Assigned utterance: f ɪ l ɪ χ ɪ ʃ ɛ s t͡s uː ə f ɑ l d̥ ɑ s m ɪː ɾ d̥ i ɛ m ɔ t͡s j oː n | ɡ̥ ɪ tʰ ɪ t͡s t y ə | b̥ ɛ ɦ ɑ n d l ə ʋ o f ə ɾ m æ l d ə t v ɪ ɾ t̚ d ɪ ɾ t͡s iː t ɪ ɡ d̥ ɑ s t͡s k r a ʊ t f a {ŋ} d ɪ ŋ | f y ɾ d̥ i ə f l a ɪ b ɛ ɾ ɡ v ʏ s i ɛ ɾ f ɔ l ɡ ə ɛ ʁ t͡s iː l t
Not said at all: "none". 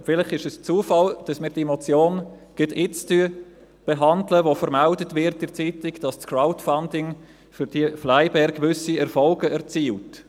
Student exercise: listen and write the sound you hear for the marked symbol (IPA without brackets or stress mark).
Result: n